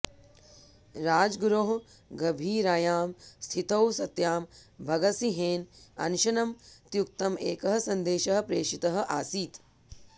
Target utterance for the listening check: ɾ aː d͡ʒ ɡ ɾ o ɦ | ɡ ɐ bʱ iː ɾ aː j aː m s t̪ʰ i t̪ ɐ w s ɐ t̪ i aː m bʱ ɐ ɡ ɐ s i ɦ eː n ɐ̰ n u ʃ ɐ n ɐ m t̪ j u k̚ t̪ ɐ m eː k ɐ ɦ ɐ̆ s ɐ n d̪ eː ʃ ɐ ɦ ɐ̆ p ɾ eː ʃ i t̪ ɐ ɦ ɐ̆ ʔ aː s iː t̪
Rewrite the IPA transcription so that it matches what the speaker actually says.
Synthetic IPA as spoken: ɾ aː d͡ʒ ɡ ɾ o ɦ | ɡ ɐ bʱ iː ɾ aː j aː m s t̪ʰ i t̪ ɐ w s ɐ t̪ j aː m bʱ ɐ ɡ ɐ s i ɦ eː n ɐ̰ n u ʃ ɐ n ɐ m t̪ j u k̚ t̪ ɐ m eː k ɐ ɦ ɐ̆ s ɐ n d̪ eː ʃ ɐ ɦ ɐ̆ p ɾ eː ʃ i t̪ ɐ ɦ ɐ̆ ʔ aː s iː t̪